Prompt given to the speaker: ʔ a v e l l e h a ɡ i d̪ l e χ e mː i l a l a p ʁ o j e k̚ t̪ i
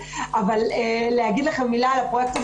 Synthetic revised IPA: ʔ a v a l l e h a ɡ i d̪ l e χ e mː i l a l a p ʁ o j e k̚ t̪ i